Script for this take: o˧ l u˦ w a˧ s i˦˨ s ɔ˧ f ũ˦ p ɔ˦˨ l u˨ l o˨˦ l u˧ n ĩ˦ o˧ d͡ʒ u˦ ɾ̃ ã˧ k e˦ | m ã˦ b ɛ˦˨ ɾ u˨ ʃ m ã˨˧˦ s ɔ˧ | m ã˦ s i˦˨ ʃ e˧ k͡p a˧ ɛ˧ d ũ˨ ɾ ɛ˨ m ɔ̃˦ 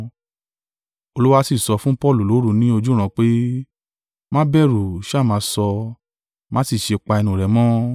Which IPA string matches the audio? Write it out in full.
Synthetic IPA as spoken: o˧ l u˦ w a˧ s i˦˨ s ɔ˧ f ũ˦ p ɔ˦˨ l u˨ l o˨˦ ɾ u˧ n ĩ˦ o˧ d͡ʒ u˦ ɾ̃ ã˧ k͡p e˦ | m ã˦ b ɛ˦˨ ɾ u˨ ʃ m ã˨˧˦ s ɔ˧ | m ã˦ s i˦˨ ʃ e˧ k͡p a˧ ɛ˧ n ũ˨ ɾ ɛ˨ m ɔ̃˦

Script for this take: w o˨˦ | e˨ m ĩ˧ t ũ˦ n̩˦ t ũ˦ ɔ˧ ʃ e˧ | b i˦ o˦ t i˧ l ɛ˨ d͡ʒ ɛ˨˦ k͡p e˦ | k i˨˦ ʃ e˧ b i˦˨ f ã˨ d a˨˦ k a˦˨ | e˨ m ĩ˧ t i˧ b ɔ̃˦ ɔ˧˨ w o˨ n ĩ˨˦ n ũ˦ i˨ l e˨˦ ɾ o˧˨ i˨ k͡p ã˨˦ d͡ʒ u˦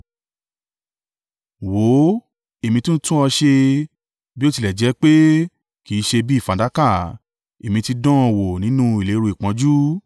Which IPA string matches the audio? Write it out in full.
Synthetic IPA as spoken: w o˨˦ | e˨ m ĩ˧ t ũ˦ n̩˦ t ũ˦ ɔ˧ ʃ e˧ | b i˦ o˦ t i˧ l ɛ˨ d͡ʒ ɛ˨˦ k͡p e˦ | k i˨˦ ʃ e˧ b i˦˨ f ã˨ d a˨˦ k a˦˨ | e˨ m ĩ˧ t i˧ d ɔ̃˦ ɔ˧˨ w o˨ n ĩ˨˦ n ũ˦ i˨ l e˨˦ ɾ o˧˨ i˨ k͡p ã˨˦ d͡ʒ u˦

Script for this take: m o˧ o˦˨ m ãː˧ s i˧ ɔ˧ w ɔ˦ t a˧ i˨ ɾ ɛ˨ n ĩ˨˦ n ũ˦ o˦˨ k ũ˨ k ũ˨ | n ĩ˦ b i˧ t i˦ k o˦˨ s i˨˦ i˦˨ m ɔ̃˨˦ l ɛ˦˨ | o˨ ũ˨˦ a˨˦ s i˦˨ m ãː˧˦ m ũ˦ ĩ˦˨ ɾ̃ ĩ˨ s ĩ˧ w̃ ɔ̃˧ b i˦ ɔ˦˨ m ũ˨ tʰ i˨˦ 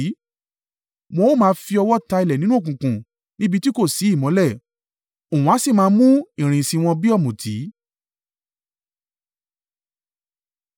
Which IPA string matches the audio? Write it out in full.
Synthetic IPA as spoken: m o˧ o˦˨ m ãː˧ f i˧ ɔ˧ w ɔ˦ t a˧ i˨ l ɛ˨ n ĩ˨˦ n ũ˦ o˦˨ k ũ˨ k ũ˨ | n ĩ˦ b i˧ t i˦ k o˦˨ s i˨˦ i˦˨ m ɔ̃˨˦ l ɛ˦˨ | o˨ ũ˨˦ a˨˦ s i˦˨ m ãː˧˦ m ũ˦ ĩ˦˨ ɾ̃ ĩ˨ s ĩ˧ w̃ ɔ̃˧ b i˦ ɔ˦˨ m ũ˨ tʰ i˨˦

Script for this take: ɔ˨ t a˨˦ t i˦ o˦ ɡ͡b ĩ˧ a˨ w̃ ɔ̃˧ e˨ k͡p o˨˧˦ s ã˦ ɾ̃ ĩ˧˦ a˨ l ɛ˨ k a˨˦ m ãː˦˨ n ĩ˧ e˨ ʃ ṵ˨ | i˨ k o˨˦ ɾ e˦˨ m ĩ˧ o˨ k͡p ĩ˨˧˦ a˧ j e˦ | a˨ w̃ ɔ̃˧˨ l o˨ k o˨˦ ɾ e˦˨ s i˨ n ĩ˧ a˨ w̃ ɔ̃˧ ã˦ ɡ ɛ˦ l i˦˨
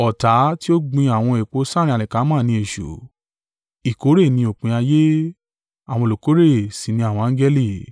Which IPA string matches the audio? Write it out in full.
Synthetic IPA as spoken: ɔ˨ t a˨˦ t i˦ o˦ ɡ͡b ĩ˧ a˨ w̃ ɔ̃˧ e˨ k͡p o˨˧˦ s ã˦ ɾ̃ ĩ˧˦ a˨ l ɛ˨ k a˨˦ m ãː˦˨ n ĩ˧ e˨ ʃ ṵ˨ | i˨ k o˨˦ ɾ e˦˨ n ĩ˧ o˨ k͡p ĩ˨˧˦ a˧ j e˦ | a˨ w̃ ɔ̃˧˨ l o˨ k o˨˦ ɾ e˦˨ s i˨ n ĩ˧ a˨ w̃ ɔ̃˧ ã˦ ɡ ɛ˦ l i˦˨

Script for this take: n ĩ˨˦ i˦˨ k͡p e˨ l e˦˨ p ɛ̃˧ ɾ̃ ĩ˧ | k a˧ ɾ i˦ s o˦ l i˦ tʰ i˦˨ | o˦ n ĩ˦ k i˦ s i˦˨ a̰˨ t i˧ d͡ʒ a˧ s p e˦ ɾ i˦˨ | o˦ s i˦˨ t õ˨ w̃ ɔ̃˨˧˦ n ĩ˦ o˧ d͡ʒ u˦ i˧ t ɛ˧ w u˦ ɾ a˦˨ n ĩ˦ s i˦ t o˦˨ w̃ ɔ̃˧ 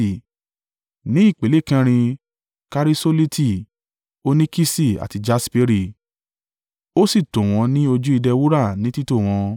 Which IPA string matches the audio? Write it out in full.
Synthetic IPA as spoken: n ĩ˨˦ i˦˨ k͡p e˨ l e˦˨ k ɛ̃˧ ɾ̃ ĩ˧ | k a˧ ɾ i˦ s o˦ l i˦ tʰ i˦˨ | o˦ n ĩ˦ k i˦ s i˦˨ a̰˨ t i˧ d͡ʒ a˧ s p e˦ ɾ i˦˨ | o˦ s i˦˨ t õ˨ w̃ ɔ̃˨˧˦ n ĩ˦ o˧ d͡ʒ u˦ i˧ d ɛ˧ w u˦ ɾ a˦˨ n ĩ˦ t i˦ t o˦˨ w̃ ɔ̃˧

